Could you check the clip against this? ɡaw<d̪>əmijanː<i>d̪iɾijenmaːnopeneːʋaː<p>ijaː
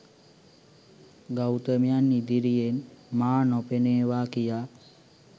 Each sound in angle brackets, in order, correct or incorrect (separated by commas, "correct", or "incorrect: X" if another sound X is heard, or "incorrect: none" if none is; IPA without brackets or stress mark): incorrect: t̪, correct, incorrect: k